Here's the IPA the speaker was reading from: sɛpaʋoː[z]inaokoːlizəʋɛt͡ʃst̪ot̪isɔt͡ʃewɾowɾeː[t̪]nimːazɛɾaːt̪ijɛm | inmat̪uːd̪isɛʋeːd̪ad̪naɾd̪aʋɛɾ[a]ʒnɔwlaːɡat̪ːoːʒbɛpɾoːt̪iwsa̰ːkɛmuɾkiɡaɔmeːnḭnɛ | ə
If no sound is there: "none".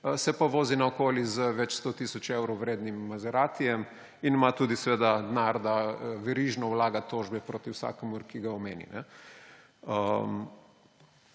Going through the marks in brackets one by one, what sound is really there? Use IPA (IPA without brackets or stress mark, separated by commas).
z, d̪, i